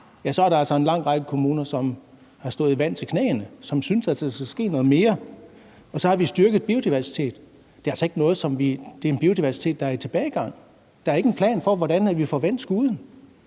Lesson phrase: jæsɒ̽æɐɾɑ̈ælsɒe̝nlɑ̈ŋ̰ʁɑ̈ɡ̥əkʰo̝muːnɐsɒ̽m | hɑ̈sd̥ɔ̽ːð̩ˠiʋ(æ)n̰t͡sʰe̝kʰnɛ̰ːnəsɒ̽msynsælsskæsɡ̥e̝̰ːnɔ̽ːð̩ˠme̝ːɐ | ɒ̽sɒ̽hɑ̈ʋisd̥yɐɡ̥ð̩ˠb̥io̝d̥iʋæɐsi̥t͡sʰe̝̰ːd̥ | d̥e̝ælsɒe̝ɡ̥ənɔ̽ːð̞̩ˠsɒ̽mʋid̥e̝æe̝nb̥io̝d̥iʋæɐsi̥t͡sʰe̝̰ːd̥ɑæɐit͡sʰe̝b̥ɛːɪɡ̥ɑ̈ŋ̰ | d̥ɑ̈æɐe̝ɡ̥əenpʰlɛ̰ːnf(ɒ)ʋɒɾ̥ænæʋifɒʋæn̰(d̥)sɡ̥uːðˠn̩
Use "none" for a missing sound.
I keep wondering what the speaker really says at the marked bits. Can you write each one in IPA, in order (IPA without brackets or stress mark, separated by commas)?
æ, ɒ, d̥